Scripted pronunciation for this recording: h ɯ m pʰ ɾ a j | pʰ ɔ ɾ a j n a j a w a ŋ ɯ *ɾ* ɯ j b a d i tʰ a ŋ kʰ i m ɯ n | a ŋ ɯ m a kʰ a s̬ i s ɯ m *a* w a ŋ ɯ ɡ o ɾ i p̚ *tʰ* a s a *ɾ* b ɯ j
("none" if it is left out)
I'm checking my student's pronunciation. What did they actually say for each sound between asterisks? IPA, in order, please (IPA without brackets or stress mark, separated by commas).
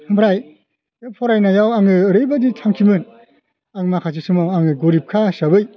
ɾ, a, kʰ, none